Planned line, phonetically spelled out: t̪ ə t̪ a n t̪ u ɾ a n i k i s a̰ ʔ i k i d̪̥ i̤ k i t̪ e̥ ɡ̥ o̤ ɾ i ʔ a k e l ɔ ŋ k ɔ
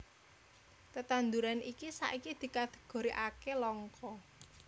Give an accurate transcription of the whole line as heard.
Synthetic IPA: t̪ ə t̪ a n d̪ u ɾ a n i k i s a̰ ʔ i k i d̪̥ i̤ k a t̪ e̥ ɡ̥ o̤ ɾ i ʔ a k e l ɔ ŋ k ɔ